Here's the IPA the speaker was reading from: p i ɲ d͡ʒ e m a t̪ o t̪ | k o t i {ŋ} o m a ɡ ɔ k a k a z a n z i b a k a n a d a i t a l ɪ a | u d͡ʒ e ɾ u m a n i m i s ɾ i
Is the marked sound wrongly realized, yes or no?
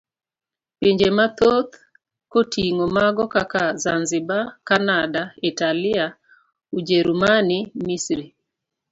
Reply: no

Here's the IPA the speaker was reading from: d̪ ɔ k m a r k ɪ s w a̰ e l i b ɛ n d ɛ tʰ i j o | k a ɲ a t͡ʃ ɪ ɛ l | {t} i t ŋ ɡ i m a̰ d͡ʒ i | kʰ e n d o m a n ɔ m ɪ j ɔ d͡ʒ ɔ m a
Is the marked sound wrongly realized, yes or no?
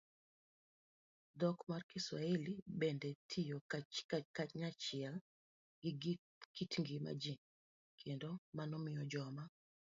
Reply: yes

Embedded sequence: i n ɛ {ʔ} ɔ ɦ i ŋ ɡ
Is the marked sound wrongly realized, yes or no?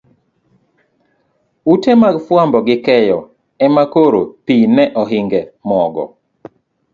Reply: no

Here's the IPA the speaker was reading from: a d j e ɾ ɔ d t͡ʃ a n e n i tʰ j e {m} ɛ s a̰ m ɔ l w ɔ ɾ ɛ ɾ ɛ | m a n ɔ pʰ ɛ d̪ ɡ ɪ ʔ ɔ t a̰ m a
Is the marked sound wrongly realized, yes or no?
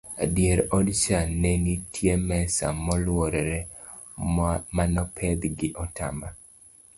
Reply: no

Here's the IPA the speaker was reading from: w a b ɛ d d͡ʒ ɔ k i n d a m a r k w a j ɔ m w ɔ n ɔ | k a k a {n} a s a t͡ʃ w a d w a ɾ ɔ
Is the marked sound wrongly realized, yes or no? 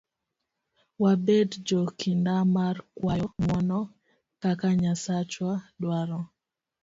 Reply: yes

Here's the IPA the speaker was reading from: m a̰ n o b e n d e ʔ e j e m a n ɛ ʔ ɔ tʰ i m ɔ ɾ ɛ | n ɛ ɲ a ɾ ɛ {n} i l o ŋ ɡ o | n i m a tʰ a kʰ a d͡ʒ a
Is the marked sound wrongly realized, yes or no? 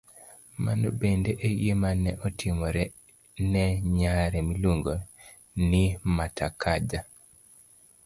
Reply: yes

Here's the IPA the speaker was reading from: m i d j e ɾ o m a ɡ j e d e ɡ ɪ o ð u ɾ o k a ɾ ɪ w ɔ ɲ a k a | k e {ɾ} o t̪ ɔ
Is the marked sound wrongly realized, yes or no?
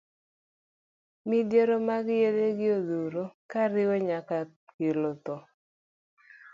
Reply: yes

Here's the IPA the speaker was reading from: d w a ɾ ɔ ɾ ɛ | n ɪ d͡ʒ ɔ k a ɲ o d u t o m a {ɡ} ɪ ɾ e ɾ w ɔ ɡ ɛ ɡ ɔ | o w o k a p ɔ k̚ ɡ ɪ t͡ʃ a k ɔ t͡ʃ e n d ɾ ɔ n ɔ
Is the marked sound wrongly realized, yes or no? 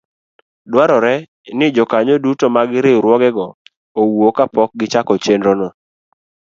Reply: no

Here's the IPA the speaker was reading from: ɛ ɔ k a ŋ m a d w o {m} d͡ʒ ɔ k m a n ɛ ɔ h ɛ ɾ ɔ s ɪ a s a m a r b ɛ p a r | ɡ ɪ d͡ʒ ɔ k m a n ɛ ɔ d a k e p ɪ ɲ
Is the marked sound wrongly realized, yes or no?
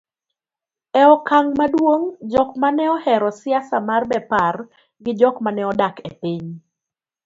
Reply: yes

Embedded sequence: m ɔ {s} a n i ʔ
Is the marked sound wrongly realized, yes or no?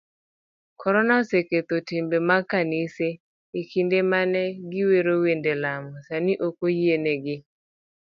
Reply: no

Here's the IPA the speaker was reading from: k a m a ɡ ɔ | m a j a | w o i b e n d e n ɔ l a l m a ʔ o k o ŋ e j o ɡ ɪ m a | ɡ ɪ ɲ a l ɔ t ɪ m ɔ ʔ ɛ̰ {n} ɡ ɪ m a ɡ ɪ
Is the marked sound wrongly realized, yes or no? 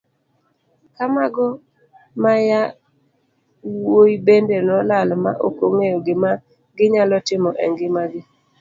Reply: yes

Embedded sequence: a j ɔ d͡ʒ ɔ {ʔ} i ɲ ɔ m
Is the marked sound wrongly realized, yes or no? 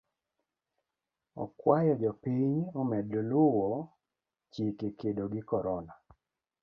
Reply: yes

